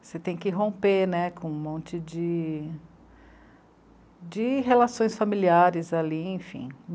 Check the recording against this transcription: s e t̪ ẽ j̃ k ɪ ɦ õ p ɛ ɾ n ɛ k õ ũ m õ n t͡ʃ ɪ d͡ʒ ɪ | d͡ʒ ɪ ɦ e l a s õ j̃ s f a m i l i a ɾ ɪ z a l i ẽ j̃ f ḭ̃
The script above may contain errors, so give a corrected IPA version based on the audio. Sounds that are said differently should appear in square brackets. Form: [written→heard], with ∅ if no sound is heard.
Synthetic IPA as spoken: s e t̪ ẽ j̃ k ɪ ɦ õ p [ɛ→e] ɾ n ɛ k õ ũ m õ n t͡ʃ ɪ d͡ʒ ɪ | d͡ʒ ɪ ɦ e l a s õ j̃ s f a m i l i a ɾ ɪ z a l i ẽ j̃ f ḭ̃